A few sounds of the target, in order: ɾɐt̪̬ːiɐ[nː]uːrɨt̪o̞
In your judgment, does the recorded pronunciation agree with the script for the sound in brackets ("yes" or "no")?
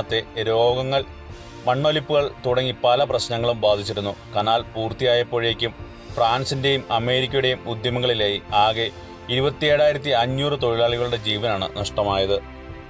no